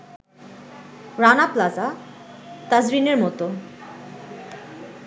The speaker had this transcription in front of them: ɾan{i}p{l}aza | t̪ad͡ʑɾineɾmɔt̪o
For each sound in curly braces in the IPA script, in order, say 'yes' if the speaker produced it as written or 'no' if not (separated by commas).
no, yes